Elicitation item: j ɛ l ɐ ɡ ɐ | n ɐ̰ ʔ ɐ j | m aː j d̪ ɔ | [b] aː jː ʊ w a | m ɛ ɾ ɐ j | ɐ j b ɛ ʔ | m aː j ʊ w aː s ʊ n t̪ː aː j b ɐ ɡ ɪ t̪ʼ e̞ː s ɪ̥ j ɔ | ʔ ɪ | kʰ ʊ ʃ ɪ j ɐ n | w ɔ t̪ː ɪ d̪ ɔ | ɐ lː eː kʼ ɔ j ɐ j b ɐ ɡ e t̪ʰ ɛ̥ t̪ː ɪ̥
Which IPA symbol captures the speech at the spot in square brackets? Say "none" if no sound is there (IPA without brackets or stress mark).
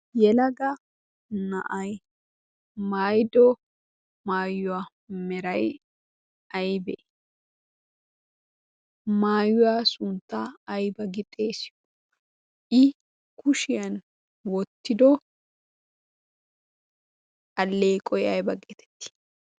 m